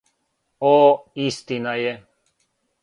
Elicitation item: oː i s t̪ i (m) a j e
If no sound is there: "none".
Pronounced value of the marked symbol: n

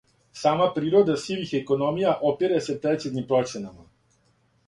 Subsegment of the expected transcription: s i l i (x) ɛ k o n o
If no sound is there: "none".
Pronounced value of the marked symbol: x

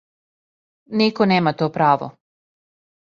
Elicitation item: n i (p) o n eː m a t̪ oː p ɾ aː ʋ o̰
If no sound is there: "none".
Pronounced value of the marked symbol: k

